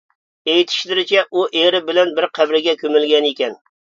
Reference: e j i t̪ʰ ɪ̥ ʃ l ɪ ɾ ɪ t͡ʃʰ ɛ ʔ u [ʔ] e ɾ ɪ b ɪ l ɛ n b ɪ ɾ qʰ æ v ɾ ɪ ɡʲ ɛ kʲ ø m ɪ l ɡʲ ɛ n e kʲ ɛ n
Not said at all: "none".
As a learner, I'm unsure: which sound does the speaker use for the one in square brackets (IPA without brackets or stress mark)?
ʔ